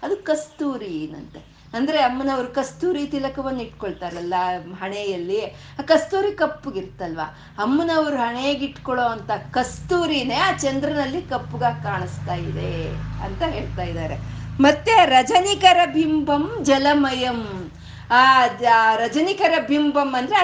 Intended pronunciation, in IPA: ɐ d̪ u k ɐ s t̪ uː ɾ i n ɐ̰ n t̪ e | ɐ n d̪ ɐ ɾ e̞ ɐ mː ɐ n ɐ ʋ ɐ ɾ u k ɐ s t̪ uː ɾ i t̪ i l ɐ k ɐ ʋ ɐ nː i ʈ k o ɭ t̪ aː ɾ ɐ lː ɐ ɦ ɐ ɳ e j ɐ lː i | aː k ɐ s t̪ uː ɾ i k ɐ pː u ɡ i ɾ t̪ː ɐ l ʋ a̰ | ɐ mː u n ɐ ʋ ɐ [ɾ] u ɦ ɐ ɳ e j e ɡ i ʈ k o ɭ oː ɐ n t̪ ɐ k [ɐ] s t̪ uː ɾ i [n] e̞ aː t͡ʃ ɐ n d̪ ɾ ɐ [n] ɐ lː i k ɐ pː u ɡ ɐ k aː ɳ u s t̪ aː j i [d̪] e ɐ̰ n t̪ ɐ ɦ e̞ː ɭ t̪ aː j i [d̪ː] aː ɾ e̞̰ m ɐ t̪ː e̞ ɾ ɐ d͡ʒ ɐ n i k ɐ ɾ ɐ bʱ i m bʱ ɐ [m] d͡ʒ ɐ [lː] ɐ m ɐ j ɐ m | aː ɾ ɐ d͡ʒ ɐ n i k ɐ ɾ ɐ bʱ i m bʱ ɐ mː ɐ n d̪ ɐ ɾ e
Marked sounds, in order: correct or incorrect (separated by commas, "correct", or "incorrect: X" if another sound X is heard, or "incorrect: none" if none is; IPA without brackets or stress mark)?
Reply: correct, correct, correct, correct, correct, incorrect: d̪, correct, incorrect: l